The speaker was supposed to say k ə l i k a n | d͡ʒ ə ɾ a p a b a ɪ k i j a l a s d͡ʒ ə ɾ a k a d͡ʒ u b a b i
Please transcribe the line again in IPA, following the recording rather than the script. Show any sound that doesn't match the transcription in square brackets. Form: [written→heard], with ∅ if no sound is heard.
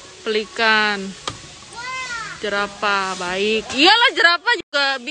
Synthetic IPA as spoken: [k→p] ə l i k a n | d͡ʒ ə ɾ a p a b a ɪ k i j a l a [s→h] d͡ʒ ə ɾ a [k→p] a d͡ʒ u [b→ɡ] a b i